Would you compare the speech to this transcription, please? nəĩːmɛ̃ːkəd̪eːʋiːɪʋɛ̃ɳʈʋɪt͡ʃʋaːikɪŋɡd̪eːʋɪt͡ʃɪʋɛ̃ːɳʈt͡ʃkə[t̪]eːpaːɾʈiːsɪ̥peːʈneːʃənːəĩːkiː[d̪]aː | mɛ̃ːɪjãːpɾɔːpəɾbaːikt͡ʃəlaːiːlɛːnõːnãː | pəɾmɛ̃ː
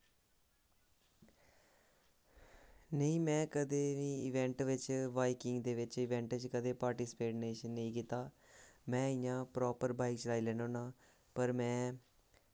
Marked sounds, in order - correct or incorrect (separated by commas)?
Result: incorrect, incorrect